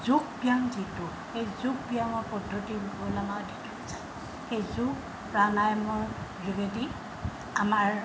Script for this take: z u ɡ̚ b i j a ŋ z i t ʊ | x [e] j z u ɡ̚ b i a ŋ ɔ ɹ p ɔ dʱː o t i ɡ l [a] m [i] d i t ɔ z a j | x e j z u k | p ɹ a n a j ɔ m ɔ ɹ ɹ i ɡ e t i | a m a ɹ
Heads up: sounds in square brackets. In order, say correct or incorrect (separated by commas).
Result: correct, correct, incorrect